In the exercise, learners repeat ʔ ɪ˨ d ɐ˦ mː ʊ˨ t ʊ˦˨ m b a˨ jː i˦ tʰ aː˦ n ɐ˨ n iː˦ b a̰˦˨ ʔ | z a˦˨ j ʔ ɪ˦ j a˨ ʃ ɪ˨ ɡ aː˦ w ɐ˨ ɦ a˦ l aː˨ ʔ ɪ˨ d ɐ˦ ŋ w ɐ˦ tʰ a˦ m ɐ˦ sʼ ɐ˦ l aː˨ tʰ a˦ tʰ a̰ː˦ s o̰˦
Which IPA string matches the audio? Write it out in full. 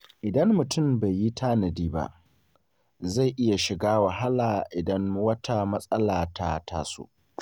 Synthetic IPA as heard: ʔ ɪ˨ d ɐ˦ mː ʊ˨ t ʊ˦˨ m b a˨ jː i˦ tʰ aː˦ n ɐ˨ d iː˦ b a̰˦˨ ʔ | z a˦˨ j ʔ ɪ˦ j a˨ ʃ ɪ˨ ɡ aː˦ w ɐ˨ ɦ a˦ l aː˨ ʔ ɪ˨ d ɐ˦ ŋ w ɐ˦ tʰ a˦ m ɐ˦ sʼ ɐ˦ l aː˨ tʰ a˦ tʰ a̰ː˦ s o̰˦